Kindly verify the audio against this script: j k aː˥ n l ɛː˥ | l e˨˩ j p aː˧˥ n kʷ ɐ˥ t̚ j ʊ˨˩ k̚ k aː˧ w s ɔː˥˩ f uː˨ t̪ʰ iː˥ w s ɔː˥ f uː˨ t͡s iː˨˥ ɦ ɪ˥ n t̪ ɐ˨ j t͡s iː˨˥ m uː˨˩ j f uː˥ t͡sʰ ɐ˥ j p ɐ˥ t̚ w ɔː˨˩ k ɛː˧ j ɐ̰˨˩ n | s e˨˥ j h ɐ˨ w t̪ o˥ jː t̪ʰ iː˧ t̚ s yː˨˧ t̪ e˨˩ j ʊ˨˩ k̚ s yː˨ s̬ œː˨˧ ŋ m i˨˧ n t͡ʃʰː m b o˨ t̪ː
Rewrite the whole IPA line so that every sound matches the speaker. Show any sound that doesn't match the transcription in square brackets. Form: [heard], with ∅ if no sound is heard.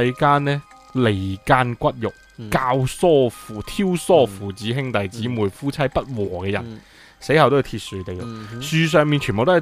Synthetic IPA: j k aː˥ n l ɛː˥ | l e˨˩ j [k] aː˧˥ n kʷ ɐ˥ t̚ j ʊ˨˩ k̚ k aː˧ w s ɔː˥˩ f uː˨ t̪ʰ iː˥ w s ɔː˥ f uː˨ t͡s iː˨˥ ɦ ɪ˥ [ŋ] t̪ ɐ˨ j t͡s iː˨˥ m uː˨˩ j f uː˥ t͡sʰ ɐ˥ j p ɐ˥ t̚ w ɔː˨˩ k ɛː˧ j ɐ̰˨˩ n | s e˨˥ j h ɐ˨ w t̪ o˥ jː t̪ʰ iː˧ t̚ s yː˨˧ t̪ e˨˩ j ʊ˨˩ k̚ s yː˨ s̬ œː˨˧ ŋ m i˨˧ n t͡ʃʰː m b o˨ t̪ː